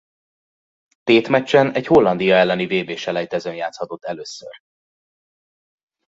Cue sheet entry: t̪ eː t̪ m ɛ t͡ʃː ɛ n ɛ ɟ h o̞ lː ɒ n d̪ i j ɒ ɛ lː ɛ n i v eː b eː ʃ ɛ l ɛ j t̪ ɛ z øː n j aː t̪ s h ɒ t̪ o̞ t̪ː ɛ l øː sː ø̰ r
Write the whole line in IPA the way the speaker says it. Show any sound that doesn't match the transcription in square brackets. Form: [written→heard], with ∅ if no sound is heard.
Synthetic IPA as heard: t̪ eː t̪ m ɛ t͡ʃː ɛ n ɛ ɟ h o̞ lː ɒ n d̪ i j ɒ ɛ lː ɛ n i v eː b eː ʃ ɛ l ɛ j t̪ ɛ z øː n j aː t̪ s h ɒ t̪ o̞ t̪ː ɛ l øː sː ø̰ r